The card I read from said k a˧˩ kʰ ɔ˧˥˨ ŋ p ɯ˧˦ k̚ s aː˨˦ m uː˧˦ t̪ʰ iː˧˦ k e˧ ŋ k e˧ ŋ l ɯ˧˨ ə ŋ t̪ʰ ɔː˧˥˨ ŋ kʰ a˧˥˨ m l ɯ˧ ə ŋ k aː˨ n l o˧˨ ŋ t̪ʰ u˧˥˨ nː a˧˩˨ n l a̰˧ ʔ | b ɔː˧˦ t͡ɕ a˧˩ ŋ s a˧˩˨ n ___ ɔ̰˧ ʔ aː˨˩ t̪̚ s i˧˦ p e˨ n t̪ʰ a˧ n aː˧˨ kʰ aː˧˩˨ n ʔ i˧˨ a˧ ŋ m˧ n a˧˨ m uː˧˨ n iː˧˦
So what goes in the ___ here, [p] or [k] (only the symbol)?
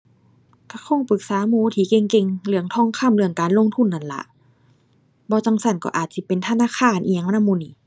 k